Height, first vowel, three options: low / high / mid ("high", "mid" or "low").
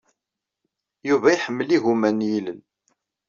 high